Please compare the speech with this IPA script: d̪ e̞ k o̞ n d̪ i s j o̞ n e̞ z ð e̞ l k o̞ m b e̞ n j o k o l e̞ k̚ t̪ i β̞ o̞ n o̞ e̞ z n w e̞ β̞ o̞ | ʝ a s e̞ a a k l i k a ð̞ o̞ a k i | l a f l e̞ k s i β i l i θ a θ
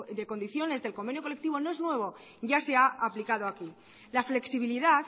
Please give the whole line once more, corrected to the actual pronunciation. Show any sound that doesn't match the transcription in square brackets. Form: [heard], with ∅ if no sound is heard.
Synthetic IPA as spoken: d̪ e̞ k o̞ n d̪ i [θ] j o̞ n e̞ z ð e̞ l k o̞ m b e̞ n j o k o l e̞ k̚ t̪ i β̞ o̞ n o̞ e̞ z n w e̞ β̞ o̞ | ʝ a s e̞ a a [p] l i k a ð̞ o̞ a k i | l a f l e̞ k s i β i l i [ð] a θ